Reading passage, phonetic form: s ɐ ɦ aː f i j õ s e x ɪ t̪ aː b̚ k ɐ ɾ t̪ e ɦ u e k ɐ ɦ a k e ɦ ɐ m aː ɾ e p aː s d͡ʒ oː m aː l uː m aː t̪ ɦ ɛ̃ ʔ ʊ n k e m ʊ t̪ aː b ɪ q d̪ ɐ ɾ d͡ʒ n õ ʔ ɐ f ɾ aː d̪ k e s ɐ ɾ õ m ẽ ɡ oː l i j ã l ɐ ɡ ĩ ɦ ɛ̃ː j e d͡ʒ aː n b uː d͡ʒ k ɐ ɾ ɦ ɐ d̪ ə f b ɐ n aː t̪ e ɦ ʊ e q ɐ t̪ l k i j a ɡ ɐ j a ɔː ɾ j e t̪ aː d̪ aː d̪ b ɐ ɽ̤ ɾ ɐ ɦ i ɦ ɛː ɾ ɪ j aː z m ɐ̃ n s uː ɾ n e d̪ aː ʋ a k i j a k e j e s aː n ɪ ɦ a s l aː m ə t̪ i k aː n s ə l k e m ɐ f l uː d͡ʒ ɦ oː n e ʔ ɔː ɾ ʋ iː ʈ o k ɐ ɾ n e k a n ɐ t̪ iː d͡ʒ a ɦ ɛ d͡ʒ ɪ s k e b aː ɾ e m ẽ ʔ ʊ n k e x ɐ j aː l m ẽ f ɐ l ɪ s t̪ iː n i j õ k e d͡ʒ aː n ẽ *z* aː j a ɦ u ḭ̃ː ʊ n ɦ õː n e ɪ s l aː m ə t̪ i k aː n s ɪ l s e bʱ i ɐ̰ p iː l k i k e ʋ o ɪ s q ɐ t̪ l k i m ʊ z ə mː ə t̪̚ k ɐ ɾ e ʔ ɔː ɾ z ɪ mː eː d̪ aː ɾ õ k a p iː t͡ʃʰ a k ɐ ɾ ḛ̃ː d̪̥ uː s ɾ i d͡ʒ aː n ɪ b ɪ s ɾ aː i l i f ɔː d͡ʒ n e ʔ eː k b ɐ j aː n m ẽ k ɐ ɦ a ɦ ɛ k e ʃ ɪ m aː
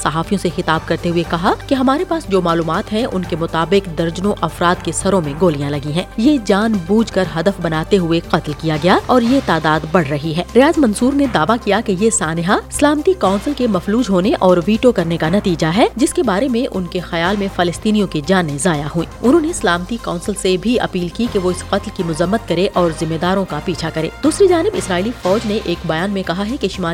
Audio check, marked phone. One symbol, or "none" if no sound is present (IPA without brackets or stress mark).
z